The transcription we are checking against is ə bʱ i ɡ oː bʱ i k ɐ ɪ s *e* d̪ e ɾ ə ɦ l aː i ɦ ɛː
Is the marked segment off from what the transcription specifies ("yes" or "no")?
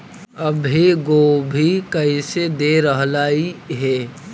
no